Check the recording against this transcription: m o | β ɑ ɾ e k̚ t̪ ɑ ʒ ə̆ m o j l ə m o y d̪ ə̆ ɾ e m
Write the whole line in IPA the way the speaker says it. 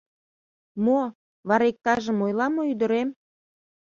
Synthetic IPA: m o | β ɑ ɾ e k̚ t̪ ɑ ʒ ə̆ m o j l ɑ m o y d̪ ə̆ ɾ e m